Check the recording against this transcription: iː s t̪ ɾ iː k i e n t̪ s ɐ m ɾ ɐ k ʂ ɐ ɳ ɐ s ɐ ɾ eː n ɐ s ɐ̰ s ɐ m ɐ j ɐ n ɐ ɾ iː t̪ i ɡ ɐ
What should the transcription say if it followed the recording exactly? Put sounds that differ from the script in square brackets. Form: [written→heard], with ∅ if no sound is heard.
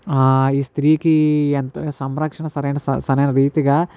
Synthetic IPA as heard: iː s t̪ ɾ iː k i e n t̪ s ɐ m ɾ ɐ k ʂ ɐ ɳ ɐ s ɐ ɾ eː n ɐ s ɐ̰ s ɐ [m→n] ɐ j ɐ n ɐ ɾ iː t̪ i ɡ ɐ

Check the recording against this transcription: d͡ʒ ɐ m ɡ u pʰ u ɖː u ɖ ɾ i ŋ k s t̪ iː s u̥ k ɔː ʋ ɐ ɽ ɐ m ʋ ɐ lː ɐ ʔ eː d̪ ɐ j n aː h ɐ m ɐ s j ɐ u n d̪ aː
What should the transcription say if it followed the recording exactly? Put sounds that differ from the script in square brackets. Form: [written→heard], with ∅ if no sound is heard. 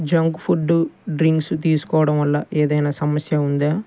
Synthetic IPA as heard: d͡ʒ ɐ [m→ŋ] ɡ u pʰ u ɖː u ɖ ɾ i ŋ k s t̪ iː s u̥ k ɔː ʋ ɐ ɽ ɐ m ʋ ɐ lː ɐ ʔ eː d̪ ɐ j n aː [h→s] ɐ m ɐ s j ɐ u n d̪ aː

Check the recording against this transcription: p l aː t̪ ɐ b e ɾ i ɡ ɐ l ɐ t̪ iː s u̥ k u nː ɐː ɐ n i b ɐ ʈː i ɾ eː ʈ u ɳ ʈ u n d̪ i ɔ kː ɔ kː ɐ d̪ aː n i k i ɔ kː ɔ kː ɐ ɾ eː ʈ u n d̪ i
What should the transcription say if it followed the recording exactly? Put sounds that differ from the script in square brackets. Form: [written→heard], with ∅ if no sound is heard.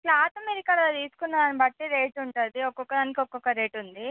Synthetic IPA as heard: p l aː t̪ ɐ [b→m] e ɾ i [ɡ→k] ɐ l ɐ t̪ iː s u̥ k u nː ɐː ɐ n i b ɐ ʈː i ɾ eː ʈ u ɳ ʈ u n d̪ i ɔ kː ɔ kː ɐ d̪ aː n i k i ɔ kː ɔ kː ɐ ɾ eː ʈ u n d̪ i

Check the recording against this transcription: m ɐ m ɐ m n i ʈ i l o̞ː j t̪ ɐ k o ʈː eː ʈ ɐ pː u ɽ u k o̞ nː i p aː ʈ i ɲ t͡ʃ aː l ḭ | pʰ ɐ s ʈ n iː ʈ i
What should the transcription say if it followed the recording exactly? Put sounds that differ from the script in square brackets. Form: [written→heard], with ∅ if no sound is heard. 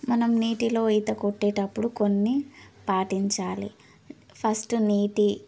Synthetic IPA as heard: m ɐ [m→n] ɐ m n [i→iː] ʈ i l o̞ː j t̪ ɐ k o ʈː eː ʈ ɐ pː u ɽ u k o̞ nː i p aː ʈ i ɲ t͡ʃ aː l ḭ | pʰ ɐ s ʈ n iː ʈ i

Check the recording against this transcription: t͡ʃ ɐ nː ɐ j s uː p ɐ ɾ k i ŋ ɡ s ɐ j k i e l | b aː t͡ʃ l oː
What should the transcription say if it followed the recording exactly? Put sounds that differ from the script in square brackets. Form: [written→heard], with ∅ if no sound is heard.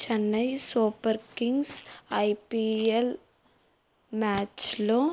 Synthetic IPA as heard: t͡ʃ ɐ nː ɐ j s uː p ɐ ɾ k i ŋ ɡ s ɐ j [k→p] i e l | [b→m] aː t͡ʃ l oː

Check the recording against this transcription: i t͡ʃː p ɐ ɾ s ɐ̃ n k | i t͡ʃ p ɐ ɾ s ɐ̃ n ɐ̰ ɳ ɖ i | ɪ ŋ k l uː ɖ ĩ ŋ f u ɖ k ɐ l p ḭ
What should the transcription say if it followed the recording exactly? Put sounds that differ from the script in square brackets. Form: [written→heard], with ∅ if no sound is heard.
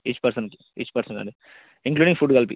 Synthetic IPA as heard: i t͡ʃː p ɐ ɾ s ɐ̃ n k | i t͡ʃ p ɐ ɾ s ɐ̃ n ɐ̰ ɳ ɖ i | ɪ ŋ k l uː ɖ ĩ ŋ f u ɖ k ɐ l p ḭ

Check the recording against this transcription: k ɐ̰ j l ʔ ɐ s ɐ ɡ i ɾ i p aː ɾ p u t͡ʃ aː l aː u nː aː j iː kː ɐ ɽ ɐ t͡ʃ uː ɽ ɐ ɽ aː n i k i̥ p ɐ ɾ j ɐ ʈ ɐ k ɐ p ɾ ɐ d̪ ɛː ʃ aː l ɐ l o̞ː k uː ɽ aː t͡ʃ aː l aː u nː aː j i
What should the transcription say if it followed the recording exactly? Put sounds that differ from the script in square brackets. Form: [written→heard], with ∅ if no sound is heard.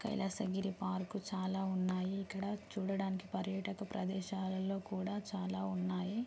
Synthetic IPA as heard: k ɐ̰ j l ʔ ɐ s ɐ ɡ i ɾ i p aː ɾ [p→k] u t͡ʃ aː l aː u nː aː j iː kː ɐ ɽ ɐ t͡ʃ uː ɽ ɐ ɽ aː n i k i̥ p ɐ ɾ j ɐ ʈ ɐ k ɐ p ɾ ɐ d̪ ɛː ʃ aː l ɐ l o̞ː k uː ɽ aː t͡ʃ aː l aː u nː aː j i

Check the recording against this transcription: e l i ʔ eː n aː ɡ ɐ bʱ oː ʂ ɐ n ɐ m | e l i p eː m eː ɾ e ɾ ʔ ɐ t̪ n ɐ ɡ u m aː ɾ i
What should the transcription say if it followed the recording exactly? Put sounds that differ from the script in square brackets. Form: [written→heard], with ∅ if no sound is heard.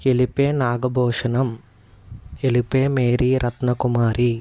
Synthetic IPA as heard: e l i [ʔ→p] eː n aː ɡ ɐ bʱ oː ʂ ɐ n ɐ m | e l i p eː m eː ɾ [e→i] ɾ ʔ ɐ t̪ n ɐ [ɡ→k] u m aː ɾ i

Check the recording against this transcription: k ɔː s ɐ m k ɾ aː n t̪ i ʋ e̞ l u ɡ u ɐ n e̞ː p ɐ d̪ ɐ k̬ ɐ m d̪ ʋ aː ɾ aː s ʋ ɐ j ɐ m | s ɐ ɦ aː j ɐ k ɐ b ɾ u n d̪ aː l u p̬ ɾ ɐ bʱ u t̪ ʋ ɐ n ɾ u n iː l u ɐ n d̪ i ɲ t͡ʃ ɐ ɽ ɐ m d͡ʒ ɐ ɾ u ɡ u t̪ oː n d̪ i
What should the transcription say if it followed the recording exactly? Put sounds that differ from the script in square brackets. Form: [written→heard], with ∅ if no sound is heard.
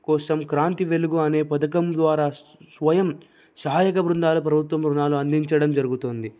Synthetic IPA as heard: k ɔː s ɐ m k ɾ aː n t̪ i ʋ e̞ l u ɡ u ɐ n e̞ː p ɐ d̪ ɐ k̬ ɐ m d̪ ʋ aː ɾ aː s ʋ ɐ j ɐ m | s ɐ ɦ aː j ɐ k ɐ b ɾ u n d̪ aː l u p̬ ɾ ɐ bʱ u t̪ ʋ ɐ [n→m] ɾ u n [iː→aː] l u ɐ n d̪ i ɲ t͡ʃ ɐ ɽ ɐ m d͡ʒ ɐ ɾ u ɡ u t̪ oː n d̪ i

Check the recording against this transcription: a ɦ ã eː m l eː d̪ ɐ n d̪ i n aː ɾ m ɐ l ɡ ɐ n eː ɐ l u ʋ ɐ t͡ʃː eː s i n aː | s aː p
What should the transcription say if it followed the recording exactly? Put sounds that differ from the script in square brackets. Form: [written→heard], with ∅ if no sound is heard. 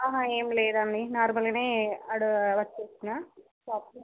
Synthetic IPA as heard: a ɦ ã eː m l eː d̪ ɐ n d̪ i n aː ɾ m ɐ l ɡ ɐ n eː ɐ [l→ɽ] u ʋ ɐ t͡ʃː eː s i n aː | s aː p

